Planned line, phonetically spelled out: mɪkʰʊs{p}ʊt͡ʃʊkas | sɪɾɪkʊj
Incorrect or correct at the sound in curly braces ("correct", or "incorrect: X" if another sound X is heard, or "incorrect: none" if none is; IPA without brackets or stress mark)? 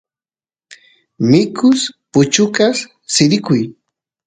correct